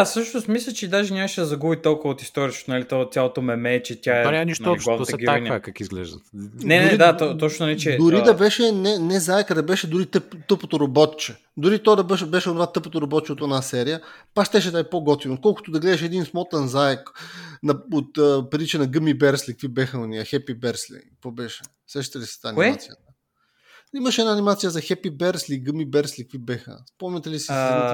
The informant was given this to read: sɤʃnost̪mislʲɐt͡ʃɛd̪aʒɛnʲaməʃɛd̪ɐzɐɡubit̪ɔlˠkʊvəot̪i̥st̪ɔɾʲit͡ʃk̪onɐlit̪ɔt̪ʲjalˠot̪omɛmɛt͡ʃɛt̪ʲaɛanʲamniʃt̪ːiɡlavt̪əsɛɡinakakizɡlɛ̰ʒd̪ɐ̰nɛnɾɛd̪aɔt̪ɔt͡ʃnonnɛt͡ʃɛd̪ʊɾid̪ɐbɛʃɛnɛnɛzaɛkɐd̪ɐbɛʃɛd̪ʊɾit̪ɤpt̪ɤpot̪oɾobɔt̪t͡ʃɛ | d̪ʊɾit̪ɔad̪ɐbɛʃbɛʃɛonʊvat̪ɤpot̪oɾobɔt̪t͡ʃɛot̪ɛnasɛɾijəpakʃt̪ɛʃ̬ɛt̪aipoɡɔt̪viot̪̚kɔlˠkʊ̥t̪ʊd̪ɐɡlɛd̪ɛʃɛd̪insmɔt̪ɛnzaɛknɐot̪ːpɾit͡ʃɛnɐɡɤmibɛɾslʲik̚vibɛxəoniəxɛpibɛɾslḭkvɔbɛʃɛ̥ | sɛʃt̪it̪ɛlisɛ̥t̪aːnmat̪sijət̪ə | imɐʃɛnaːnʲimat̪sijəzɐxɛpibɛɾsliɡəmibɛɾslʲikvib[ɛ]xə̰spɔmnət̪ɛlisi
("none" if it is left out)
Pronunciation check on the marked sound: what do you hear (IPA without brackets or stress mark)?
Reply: ɛ